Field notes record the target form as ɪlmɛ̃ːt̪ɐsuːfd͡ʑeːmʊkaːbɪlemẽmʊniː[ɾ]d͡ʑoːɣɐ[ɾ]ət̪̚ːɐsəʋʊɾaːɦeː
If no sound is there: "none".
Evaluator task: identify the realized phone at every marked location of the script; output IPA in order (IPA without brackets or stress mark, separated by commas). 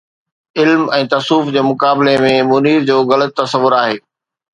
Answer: ɾ, l